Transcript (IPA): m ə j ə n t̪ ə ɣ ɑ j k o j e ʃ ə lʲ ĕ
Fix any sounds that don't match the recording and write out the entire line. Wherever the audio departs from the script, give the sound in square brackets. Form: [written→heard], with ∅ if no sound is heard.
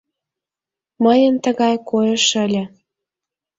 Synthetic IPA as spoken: m ə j ə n t̪ ə ɣ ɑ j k o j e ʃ ə lʲ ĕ